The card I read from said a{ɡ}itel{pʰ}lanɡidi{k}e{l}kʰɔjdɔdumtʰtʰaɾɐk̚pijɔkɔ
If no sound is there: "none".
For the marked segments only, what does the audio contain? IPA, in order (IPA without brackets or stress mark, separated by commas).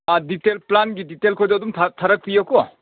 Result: d, p, t, l